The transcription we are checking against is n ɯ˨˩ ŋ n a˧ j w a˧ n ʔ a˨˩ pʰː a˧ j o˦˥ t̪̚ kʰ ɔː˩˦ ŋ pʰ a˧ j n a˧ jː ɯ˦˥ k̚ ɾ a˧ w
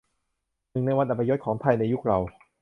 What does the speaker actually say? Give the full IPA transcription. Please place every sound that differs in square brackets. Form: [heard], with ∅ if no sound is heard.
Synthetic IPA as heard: n ɯ˨˩ ŋ n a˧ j w a˧ n ʔ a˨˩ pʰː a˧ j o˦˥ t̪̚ kʰ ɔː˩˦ ŋ pʰ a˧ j n a˧ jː [u˦˥] k̚ ɾ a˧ w